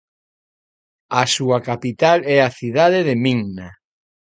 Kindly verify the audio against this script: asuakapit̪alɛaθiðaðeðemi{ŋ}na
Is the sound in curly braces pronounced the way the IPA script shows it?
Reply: yes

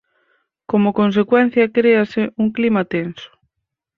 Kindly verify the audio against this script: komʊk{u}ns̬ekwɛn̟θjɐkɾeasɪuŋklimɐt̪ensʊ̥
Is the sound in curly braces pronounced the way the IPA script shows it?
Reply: no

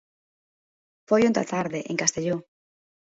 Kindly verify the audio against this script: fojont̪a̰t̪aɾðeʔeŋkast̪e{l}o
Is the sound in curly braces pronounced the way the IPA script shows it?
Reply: no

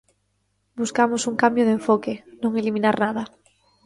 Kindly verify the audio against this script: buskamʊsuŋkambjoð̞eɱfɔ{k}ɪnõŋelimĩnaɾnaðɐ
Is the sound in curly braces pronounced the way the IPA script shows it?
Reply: yes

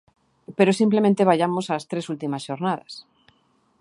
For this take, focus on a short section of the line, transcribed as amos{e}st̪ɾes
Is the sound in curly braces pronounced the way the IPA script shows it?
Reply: no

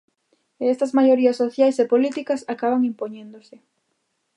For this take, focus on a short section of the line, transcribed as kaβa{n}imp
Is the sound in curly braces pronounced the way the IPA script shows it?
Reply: no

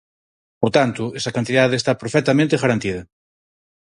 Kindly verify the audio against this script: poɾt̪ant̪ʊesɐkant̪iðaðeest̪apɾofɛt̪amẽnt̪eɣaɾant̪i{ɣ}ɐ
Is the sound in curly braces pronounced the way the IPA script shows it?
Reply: no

